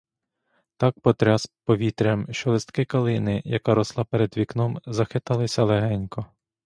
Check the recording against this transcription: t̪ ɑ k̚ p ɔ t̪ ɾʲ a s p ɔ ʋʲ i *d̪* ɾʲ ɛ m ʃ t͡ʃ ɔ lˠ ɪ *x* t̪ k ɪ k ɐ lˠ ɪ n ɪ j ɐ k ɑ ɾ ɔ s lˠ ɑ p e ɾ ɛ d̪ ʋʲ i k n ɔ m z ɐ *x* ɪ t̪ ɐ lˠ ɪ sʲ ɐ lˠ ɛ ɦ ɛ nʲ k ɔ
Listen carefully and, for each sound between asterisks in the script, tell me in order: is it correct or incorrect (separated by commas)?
incorrect, incorrect, correct